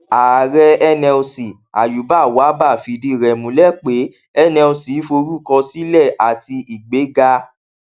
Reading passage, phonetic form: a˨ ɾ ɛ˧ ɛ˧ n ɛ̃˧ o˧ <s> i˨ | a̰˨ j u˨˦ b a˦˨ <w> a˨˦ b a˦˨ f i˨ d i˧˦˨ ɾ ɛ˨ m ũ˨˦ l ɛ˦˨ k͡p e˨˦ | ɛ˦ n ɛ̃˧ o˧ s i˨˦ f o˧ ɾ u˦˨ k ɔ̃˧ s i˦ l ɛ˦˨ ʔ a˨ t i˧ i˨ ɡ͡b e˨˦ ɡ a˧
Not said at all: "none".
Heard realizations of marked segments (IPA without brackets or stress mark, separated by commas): s, w